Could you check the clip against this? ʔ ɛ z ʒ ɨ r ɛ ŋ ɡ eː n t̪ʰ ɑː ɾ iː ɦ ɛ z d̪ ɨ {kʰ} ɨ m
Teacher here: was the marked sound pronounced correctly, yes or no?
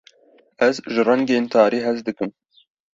no